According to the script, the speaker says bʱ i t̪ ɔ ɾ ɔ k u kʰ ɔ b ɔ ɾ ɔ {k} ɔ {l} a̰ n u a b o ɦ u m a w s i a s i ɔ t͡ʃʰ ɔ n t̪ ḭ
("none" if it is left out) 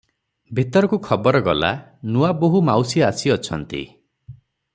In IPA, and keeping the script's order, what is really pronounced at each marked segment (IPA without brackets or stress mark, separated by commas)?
ɡ, l